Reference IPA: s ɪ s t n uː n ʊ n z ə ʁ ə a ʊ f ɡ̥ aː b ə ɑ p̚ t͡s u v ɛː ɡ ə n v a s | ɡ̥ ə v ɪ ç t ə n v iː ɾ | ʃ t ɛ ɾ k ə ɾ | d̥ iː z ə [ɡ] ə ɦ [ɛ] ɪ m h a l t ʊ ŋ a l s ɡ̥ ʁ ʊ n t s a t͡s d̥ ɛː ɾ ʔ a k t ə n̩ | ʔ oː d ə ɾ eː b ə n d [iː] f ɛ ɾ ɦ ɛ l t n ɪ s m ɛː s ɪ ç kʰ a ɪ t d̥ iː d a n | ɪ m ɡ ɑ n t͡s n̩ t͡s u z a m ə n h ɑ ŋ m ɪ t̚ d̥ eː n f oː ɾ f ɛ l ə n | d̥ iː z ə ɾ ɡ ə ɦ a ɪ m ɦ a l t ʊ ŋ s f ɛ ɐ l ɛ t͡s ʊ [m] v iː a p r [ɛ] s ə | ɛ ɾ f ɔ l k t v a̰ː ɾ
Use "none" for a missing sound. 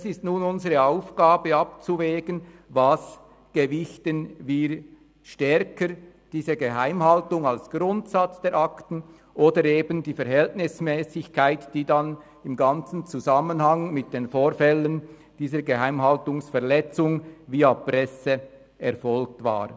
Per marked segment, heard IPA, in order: ɡ, a, iː, ŋ, ɛ

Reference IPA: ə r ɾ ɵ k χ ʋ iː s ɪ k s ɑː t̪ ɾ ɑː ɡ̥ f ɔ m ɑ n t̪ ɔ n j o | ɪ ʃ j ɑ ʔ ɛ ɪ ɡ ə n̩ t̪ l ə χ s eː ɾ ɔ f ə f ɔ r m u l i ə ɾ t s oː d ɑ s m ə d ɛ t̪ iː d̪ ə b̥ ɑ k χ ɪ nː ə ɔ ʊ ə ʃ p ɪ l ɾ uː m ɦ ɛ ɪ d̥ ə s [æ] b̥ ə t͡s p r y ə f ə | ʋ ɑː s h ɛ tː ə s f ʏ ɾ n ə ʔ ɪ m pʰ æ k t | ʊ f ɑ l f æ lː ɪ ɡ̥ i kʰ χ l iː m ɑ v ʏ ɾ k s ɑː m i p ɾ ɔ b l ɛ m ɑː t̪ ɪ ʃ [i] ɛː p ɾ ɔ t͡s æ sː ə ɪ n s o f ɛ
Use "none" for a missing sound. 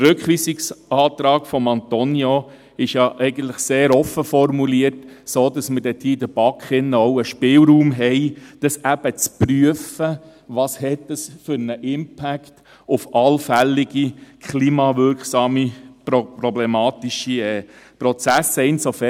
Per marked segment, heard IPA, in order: æ, i

